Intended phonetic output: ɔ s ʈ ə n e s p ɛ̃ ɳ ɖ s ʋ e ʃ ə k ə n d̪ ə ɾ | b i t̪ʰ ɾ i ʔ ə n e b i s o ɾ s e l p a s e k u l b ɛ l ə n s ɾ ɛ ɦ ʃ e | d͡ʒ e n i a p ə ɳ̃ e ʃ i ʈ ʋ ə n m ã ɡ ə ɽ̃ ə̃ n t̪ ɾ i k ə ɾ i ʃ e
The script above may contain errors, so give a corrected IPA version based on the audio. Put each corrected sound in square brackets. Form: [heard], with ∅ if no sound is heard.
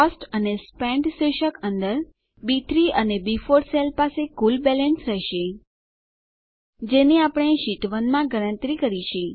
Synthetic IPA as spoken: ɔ s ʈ ə n e s p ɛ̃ ɳ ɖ s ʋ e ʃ ə k ə n d̪ ə ɾ | b i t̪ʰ ɾ i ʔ ə n e b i [f] o ɾ s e l p a s e k u l b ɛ l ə n s ɾ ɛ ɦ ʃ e | d͡ʒ e n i a p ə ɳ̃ e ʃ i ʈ ʋ ə n m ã ɡ ə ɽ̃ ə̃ n t̪ ɾ i k ə ɾ i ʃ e